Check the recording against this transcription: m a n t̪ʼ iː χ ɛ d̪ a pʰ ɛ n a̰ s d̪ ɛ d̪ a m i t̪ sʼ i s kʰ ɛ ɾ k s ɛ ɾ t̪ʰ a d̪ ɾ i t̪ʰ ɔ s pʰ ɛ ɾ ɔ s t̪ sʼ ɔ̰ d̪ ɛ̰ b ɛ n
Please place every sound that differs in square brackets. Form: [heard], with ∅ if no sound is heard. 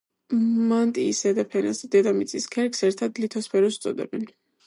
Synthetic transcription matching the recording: m a n t̪ʼ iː [s] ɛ d̪ a pʰ ɛ n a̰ s d̪ ɛ d̪ a m i t̪ sʼ i s kʰ ɛ ɾ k s ɛ ɾ t̪ʰ a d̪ [l] i t̪ʰ ɔ s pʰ ɛ ɾ ɔ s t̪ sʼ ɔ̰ d̪ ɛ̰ b ɛ n